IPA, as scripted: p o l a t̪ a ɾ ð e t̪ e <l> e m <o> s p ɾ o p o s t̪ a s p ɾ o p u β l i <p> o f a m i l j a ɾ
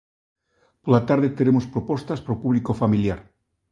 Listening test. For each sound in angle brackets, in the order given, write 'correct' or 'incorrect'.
incorrect: ɾ, correct, incorrect: k

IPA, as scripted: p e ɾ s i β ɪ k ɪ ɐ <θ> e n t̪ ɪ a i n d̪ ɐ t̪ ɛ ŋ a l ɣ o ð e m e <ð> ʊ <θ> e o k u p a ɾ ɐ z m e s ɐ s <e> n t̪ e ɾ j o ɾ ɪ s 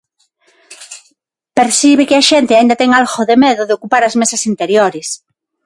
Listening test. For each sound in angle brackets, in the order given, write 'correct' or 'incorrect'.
incorrect: ʃ, correct, incorrect: ð, incorrect: i

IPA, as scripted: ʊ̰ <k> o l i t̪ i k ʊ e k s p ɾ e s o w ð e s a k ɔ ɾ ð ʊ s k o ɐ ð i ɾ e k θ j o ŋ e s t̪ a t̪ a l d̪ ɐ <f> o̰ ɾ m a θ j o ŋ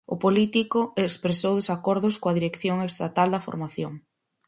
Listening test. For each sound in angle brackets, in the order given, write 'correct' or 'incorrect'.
incorrect: p, correct

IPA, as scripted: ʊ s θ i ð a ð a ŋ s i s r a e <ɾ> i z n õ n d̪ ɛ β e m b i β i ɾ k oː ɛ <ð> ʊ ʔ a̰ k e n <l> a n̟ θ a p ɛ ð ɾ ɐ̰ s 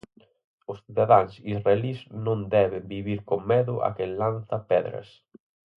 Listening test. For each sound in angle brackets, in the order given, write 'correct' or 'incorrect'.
incorrect: l, correct, correct

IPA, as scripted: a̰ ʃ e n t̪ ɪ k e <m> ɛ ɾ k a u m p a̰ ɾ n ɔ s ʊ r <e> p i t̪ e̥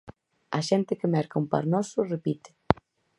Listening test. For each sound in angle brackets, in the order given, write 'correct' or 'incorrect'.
correct, correct

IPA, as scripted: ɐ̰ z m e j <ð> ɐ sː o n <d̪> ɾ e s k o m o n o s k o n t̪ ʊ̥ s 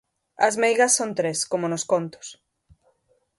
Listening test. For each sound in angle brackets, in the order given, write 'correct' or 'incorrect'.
incorrect: ɣ, incorrect: t̪

